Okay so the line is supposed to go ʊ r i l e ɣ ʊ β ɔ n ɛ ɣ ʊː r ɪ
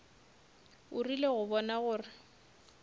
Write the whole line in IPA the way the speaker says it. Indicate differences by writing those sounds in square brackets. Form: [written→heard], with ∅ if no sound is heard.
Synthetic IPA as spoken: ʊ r i l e ɣ ʊ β ɔ n [ɛ→a] ɣ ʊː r ɪ